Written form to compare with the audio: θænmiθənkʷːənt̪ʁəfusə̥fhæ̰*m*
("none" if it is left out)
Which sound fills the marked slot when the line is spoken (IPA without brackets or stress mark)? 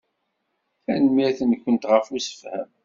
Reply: m